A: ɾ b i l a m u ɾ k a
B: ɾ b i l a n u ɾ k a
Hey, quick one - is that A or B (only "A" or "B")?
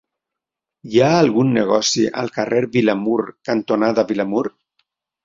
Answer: A